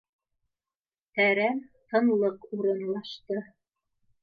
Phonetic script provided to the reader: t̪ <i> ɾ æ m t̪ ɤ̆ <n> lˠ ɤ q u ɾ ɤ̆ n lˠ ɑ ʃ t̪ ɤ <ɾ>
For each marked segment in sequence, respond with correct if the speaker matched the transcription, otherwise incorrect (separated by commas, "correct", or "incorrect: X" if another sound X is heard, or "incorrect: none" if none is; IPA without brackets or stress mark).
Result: incorrect: æ, correct, incorrect: none